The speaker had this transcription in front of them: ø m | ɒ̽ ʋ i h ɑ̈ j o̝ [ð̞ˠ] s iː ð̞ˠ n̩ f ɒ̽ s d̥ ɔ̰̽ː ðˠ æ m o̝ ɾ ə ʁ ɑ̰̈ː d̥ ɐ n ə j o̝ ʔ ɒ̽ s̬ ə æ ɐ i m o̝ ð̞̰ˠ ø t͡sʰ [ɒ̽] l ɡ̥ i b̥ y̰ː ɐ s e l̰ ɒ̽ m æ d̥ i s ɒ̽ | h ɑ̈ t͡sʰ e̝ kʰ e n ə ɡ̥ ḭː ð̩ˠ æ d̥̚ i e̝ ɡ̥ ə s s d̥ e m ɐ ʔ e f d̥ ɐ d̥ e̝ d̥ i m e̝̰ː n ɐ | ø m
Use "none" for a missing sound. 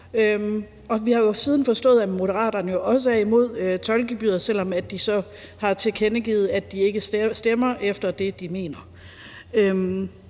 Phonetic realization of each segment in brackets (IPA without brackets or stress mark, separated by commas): none, ɒ̽